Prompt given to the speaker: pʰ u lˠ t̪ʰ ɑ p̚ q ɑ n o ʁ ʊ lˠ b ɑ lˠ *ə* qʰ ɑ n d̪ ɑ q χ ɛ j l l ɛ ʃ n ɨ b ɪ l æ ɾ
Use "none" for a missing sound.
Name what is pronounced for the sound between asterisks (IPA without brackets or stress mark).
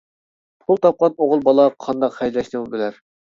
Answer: ɑ